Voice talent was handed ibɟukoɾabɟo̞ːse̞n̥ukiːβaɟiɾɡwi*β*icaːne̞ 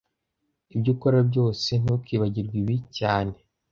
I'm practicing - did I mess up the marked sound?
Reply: no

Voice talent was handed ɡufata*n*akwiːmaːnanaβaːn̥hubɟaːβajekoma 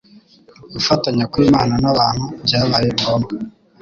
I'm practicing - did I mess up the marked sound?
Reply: yes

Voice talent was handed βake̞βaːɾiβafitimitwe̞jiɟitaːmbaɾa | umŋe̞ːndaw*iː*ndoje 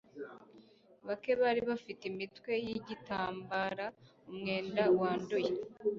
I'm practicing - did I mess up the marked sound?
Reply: yes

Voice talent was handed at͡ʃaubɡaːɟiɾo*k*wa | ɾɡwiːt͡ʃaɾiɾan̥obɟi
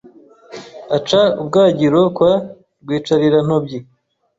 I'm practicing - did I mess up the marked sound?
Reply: no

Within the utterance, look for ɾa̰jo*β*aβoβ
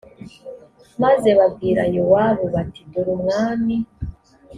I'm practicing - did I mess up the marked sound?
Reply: yes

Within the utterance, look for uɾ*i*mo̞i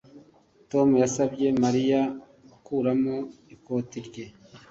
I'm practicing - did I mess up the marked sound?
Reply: yes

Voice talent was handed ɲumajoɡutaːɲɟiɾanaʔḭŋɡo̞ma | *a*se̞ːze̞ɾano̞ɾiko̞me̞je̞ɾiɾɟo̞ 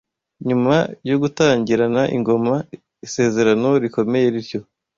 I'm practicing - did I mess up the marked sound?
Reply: yes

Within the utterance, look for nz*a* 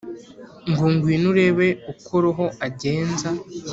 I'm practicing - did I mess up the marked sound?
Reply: no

